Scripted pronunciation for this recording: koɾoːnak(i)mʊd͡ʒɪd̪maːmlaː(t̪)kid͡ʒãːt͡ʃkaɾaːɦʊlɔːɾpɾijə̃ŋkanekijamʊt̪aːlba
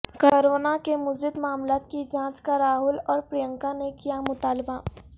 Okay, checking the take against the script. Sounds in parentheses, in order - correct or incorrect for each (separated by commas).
incorrect, correct